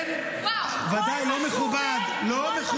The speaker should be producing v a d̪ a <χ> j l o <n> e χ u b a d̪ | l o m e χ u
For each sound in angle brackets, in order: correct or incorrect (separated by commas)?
incorrect, incorrect